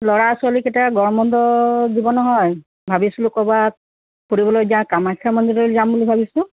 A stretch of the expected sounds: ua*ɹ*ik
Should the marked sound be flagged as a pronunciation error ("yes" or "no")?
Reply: yes